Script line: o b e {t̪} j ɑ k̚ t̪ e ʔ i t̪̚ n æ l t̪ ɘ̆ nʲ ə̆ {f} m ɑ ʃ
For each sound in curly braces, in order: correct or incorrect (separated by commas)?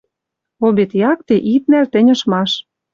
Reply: correct, incorrect